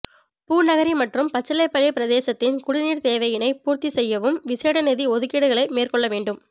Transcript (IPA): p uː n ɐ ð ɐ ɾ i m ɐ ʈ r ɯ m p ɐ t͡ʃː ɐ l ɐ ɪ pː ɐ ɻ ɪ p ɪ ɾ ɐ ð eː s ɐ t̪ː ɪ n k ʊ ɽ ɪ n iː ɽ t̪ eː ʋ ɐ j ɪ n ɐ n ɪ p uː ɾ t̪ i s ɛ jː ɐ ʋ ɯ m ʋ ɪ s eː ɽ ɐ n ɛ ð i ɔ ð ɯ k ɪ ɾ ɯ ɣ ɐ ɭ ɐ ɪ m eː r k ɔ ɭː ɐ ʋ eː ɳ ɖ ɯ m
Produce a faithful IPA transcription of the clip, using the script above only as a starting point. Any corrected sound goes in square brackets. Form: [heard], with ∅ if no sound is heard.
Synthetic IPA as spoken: p uː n ɐ [ɣ] ɐ ɾ i m ɐ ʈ r ɯ m p ɐ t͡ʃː ɐ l ɐ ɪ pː ɐ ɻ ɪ p ɪ ɾ ɐ ð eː s ɐ t̪ː ɪ n k ʊ ɽ ɪ n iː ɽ t̪ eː ʋ ɐ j ɪ n ɐ [∅] ɪ p uː ɾ t̪ i s ɛ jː ɐ ʋ ɯ m ʋ ɪ s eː ɽ ɐ n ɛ ð i ɔ ð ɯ k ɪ [ɽ] ɯ ɣ ɐ ɭ ɐ ɪ m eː r k ɔ ɭː ɐ ʋ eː ɳ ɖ ɯ m